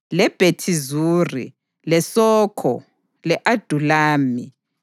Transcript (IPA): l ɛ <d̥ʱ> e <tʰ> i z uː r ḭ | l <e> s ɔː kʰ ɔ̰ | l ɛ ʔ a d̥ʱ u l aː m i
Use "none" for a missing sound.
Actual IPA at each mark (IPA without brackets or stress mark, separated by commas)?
b̥ʱ, tʰ, ɛ